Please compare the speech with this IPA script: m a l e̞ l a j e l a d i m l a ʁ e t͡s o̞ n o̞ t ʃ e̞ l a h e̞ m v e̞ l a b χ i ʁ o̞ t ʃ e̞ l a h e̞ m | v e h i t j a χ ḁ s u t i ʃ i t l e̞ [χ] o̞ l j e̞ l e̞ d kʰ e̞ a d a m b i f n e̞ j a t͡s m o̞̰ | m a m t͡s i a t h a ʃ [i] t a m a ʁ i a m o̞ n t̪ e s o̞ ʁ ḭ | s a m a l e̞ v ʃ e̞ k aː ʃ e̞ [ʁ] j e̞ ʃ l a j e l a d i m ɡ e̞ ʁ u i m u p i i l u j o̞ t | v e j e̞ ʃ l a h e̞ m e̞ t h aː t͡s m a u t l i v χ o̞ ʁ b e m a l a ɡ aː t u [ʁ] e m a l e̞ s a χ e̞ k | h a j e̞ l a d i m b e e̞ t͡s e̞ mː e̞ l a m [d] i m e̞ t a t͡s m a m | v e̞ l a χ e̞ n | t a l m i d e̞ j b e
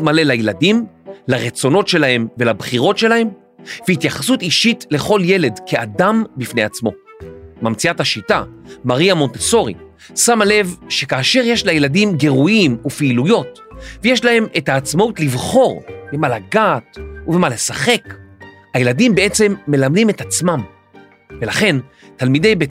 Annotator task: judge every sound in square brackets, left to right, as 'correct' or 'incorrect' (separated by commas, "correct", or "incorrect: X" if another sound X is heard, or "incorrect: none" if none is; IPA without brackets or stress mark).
correct, correct, correct, incorrect: v, correct